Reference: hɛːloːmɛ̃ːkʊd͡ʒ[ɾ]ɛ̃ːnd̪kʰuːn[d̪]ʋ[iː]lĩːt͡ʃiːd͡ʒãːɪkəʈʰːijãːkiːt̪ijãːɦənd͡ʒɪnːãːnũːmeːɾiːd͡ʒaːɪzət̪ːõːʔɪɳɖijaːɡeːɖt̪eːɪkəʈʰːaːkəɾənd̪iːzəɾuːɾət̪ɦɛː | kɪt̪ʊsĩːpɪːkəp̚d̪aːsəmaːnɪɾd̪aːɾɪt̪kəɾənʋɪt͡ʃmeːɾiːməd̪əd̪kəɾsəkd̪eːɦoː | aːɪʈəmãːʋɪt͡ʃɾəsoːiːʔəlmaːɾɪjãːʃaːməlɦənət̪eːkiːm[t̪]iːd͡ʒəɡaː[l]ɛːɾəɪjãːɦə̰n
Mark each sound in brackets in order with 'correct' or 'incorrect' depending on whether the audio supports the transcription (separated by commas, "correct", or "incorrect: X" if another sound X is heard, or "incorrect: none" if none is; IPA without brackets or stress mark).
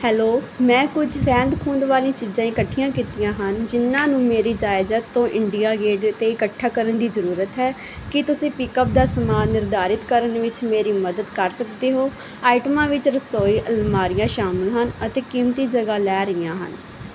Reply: correct, correct, incorrect: aː, correct, correct